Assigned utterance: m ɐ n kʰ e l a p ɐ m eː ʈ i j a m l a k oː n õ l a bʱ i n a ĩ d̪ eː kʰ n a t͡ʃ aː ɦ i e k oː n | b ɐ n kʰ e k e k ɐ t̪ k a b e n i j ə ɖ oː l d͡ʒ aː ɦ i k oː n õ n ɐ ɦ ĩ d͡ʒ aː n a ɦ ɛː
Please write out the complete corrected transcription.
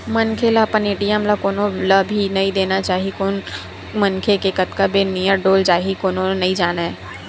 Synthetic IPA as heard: m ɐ n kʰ e l a p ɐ n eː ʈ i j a m l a k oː n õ l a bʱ i n ɐ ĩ d̪ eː n a t͡ʃ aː ɦ i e k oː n | m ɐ n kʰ e k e k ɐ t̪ k a b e n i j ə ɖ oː l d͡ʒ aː ɦ i k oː n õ n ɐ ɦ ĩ d͡ʒ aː n a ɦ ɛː